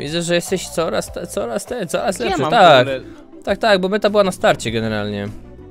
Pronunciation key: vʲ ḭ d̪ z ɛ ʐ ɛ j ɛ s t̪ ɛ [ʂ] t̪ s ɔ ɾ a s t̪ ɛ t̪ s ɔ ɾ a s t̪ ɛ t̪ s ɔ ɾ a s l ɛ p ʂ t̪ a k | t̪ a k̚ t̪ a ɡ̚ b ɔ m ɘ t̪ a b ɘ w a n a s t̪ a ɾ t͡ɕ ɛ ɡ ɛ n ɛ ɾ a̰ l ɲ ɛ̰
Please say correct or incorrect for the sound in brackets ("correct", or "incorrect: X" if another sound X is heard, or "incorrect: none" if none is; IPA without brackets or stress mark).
incorrect: ɕ